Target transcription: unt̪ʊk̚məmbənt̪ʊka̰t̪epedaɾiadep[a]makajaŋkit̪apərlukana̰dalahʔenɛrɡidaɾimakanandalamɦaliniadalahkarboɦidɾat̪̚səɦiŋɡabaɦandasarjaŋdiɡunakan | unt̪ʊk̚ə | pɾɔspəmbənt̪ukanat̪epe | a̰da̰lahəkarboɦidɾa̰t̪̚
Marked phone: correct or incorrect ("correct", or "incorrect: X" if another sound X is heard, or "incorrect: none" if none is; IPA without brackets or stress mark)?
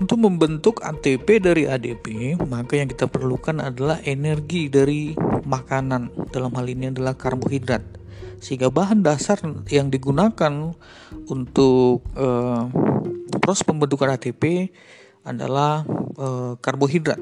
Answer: incorrect: e